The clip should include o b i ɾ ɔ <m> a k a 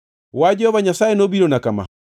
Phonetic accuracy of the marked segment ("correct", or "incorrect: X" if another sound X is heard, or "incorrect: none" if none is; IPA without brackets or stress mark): incorrect: n